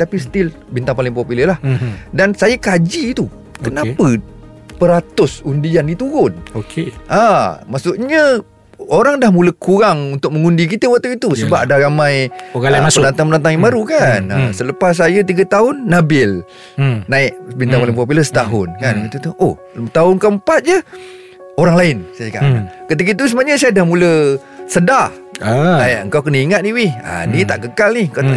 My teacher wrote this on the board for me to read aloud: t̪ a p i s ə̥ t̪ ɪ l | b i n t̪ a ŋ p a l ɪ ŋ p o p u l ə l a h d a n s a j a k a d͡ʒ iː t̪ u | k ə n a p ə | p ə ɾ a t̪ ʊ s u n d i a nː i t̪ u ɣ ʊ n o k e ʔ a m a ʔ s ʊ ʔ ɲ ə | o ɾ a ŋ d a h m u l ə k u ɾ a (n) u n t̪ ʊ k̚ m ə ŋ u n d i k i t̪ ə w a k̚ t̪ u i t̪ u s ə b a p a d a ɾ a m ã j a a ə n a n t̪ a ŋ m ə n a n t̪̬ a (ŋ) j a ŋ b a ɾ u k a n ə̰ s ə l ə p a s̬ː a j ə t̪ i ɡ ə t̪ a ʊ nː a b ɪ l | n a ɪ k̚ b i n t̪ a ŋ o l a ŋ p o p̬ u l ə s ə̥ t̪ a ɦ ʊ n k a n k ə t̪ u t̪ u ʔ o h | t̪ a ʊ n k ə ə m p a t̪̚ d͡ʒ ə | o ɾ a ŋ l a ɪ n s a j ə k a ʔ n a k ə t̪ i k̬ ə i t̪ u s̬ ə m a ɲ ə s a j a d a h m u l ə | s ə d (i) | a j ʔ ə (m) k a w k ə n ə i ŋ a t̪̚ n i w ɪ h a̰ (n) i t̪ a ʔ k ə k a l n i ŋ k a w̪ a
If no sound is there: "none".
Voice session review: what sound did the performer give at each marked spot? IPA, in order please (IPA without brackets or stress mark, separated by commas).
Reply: ŋ, ŋ, a, ŋ, n